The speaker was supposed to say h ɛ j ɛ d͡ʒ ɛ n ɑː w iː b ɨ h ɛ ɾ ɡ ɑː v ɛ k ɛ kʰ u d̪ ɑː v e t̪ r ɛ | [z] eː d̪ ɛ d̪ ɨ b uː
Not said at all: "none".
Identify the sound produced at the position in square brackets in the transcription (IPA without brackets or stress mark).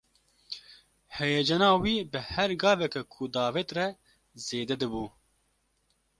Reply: z